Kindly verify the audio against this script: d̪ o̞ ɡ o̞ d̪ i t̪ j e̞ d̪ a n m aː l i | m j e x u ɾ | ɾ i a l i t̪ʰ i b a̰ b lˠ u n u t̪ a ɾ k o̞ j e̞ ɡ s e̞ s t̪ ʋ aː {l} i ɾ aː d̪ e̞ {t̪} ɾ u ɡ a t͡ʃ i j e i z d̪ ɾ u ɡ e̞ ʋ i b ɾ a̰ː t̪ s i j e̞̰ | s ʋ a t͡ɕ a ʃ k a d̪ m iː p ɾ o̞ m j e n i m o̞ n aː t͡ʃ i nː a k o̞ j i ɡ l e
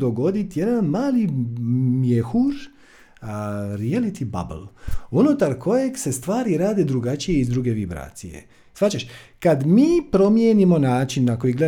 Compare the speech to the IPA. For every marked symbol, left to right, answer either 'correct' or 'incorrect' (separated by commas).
incorrect, incorrect